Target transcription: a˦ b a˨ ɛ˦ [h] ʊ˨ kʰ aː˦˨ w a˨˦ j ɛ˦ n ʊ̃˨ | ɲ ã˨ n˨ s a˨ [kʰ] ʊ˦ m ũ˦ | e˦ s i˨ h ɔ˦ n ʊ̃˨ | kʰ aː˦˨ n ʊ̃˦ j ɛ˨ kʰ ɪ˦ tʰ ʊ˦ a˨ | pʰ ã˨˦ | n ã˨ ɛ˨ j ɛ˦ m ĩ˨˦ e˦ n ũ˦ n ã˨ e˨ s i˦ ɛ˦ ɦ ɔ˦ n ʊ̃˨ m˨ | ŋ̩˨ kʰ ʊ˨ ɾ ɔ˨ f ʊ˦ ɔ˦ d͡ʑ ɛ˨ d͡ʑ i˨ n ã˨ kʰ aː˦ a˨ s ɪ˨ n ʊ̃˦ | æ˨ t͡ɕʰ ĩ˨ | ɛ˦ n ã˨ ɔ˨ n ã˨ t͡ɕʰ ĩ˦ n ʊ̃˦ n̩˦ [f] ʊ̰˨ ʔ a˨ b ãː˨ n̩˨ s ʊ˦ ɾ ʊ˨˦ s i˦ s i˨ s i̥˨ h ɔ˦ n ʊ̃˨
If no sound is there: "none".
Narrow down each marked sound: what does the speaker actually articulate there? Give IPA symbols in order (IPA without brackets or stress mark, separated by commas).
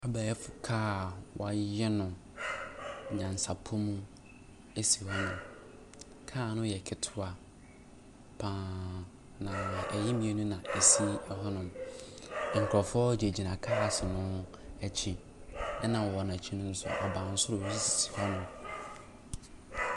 f, pʰ, s